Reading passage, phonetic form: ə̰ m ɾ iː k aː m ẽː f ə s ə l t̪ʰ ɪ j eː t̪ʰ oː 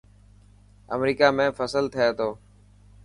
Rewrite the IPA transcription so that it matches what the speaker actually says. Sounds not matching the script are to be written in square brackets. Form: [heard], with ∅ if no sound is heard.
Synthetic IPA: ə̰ m ɾ iː k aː m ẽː f ə s ə l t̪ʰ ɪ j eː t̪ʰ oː